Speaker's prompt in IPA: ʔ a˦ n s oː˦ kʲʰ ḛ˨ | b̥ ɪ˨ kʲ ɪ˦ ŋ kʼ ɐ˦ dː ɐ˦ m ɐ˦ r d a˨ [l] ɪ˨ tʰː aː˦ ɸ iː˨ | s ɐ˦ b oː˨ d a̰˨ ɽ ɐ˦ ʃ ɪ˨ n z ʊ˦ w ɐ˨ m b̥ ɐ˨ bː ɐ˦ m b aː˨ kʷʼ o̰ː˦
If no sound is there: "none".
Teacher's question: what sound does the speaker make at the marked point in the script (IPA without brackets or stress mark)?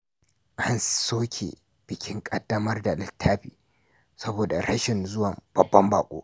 l